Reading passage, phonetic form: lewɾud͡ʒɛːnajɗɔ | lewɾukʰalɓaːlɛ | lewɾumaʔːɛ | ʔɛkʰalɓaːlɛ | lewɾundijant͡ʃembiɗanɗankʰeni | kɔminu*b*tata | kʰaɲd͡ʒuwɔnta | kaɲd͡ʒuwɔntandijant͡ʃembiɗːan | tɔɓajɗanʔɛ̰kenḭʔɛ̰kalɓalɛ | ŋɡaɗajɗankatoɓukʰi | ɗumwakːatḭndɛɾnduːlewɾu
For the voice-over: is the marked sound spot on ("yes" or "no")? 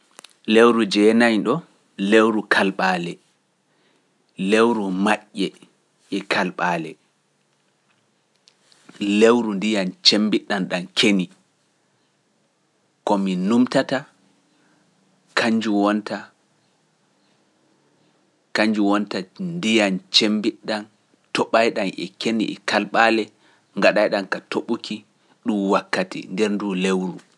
no